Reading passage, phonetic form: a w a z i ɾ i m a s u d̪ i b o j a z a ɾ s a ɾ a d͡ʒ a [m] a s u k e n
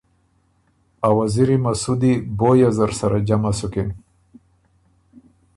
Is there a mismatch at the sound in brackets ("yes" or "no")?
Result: no